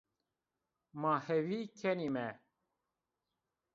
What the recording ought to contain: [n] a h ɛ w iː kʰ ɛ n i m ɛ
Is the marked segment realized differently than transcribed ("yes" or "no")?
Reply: yes